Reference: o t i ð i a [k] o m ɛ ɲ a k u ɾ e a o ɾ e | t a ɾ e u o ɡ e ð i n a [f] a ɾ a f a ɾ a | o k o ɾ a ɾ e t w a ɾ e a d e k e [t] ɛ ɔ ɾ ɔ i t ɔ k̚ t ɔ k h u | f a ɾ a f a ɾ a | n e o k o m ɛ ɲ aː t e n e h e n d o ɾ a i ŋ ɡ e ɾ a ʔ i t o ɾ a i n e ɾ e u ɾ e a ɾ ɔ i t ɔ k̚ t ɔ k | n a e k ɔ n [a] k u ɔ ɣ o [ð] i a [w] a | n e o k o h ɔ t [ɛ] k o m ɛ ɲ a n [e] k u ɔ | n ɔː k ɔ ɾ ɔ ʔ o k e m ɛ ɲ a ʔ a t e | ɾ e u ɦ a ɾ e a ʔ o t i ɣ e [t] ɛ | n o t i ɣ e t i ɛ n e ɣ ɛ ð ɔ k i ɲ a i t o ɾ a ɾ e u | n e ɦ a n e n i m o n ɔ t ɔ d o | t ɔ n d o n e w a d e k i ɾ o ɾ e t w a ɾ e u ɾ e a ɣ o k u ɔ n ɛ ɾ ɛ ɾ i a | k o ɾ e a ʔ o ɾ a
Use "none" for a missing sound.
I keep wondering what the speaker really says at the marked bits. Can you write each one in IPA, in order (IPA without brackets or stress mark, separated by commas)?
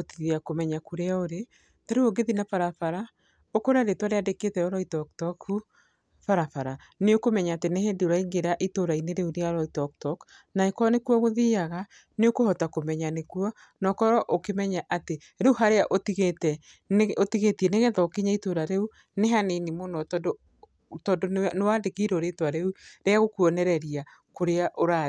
k, f, t, e, ð, ɣ, a, e, t